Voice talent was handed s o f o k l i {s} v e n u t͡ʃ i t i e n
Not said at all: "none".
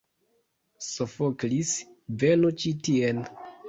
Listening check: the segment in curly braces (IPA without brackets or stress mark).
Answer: s